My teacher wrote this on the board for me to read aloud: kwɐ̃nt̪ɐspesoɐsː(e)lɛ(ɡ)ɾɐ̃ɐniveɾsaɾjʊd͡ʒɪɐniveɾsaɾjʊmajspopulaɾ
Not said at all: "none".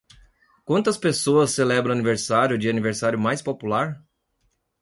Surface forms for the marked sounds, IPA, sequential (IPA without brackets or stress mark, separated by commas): e, b